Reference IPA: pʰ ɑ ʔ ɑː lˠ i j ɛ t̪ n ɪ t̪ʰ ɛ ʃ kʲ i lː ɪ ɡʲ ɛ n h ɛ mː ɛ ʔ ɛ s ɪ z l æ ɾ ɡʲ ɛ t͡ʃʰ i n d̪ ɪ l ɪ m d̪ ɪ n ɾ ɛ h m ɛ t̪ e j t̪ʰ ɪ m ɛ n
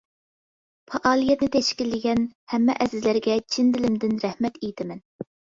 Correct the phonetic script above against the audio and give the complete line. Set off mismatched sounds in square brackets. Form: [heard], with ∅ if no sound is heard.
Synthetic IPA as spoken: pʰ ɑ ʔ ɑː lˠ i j ɛ t̪ n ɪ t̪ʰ ɛ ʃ kʲ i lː ɪ ɡʲ ɛ n h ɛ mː ɛ ʔ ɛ [z] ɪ z l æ ɾ ɡʲ ɛ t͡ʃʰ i n d̪ ɪ l ɪ m d̪ ɪ n ɾ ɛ h m ɛ t̪ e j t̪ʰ ɪ m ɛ n